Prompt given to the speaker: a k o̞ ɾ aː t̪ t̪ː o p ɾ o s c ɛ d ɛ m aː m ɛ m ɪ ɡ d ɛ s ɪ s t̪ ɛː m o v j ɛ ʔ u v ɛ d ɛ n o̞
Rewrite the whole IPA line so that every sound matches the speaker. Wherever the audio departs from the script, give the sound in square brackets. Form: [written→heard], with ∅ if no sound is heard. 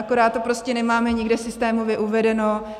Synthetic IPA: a k o̞ ɾ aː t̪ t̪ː o p ɾ o s c ɛ [d→n] ɛ m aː m ɛ [m→ɲ] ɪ ɡ d ɛ s ɪ s t̪ ɛː m o v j ɛ ʔ u v ɛ d ɛ n o̞